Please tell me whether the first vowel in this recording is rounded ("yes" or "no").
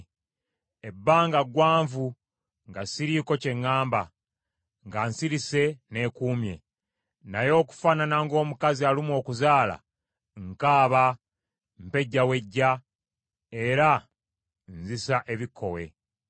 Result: no